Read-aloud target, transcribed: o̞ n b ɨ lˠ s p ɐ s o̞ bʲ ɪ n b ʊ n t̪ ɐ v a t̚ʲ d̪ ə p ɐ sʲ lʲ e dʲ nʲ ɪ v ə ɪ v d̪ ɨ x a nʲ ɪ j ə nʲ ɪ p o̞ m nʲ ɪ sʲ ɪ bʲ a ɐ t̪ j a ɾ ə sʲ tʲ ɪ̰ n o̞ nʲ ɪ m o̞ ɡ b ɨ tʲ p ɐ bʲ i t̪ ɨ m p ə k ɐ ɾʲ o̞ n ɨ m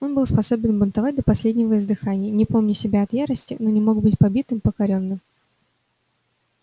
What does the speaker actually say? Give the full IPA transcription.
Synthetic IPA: o̞ n b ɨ lˠ s p ɐ s o̞ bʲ ɪ n b ʊ n t̪ ɐ v a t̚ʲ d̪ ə p ɐ sʲ lʲ e dʲ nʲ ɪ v ə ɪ z d̪ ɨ x a nʲ ɪ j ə nʲ ɪ p o̞ m nʲ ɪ sʲ ɪ bʲ a ɐ t̪ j a ɾ ə sʲ tʲ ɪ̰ n o̞ nʲ ɪ m o̞ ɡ b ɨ tʲ p ɐ bʲ i t̪ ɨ m p ə k ɐ ɾʲ o̞ nː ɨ m

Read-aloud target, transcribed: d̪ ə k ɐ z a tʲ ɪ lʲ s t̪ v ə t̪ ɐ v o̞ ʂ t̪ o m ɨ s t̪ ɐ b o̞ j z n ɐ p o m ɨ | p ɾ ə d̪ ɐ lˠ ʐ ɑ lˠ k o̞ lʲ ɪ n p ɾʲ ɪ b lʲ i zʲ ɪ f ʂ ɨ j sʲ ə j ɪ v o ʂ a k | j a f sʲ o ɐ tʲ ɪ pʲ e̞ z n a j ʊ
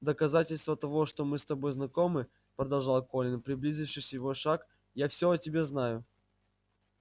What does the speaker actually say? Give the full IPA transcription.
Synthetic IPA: d̪ ə k ɐ z a tʲ ɪ lʲ s t̪ v ə t̪ ɐ v o̞ ʂ t̪ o m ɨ s t̪ ɐ b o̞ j z n ɐ k o m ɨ | p ɾ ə d̪ ɐ lˠ ʐ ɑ lˠ k o̞ lʲ ɪ n p ɾʲ ɪ b lʲ i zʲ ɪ f ʂ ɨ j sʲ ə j ɪ v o ʂ a k | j a f sʲ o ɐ tʲ ɪ bʲ e̞ z n a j ʊ

